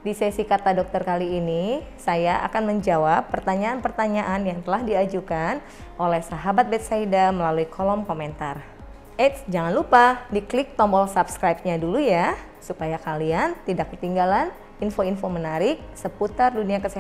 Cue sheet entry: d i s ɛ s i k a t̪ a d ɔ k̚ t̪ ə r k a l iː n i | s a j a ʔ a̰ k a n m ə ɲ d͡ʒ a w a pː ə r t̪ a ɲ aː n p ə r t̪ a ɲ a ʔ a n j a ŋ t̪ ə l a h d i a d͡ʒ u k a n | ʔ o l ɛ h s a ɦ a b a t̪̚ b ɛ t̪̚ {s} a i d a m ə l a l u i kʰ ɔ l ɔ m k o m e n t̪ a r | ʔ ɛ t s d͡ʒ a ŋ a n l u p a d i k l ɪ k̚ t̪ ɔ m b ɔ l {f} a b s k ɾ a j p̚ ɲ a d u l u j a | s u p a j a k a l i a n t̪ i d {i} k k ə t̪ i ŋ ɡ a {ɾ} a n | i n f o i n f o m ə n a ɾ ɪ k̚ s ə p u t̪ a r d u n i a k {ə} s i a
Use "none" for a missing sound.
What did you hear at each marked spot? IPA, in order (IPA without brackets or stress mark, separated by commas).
s, s, a, l, ə